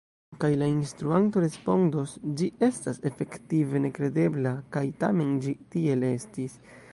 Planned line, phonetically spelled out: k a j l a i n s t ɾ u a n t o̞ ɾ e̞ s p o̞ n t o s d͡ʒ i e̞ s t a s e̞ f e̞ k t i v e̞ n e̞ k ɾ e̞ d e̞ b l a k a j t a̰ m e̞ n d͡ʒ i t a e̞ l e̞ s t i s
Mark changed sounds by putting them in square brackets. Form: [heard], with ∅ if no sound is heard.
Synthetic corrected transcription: k a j l a i n s t ɾ u a n t o̞ ɾ e̞ s p o̞ n [d] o s d͡ʒ i e̞ s t a s e̞ f e̞ k t i v e̞ n e̞ k ɾ e̞ d e̞ b l a k a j t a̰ m e̞ n d͡ʒ i t [i] e̞ l e̞ s t i s